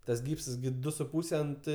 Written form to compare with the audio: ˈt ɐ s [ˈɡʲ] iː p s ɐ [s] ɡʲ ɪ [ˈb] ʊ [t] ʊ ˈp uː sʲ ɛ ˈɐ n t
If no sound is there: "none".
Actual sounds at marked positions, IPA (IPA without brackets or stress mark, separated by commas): ɡʲ, s, d, s